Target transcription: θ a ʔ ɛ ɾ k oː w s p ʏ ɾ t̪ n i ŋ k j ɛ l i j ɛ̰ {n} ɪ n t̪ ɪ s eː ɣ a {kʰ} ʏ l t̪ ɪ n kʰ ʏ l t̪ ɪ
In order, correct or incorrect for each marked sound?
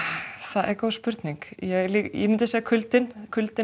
incorrect: m, correct

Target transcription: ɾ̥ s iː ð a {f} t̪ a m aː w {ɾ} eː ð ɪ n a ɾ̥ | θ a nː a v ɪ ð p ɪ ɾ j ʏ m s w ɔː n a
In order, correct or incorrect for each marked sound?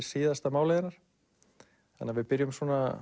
incorrect: s, incorrect: l

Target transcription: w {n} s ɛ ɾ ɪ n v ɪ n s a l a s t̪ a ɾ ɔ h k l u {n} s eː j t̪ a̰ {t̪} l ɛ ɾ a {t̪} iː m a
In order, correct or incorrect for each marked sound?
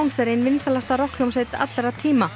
incorrect: ŋ, incorrect: m, correct, incorrect: t̪ʰ

